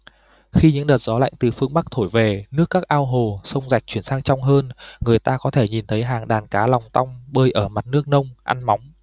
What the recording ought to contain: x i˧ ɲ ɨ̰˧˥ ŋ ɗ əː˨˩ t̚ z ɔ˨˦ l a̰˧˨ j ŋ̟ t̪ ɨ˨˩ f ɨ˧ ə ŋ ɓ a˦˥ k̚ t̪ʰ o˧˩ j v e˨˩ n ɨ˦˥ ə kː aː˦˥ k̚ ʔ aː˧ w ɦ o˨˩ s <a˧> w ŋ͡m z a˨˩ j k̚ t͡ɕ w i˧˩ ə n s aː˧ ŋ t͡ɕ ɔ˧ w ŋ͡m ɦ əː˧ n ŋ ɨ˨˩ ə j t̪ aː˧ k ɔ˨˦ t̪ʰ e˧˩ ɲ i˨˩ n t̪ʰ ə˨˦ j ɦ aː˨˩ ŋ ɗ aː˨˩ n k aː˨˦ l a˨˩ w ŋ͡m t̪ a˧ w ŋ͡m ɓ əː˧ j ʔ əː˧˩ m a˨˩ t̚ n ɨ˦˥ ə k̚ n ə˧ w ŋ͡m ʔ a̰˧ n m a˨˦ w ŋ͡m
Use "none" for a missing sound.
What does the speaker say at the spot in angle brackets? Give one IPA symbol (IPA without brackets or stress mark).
ə˧